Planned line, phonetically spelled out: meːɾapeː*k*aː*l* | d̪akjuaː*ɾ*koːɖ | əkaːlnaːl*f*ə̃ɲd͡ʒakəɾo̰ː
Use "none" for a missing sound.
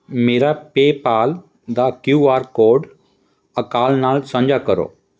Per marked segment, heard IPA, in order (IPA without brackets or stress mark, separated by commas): p, l, ɾ, s